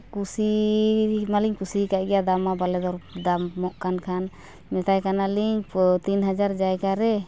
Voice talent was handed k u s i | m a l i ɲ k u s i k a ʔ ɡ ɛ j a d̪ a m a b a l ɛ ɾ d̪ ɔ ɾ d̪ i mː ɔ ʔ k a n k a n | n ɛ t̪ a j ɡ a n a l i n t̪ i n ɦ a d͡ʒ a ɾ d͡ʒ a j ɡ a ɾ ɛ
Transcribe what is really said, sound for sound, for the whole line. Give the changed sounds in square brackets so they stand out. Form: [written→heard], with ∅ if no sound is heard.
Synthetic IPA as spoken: k u s i | m a l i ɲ k u s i k a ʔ ɡ ɛ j a d̪ a m a b a l ɛ [ɾ→∅] d̪ ɔ ɾ d̪ [i→a] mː ɔ ʔ k a n [k→kʰ] a n | [n→m] ɛ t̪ a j [ɡ→k] a n a l i [n→ɲ] t̪ i n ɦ a d͡ʒ a ɾ d͡ʒ a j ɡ a ɾ ɛ